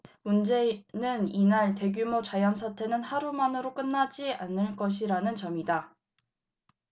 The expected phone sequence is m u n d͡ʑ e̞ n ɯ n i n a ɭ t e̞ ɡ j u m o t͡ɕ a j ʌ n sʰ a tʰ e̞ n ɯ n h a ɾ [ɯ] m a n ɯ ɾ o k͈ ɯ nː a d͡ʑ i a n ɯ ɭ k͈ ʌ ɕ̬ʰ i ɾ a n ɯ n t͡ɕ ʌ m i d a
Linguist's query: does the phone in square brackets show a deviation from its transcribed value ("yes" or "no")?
yes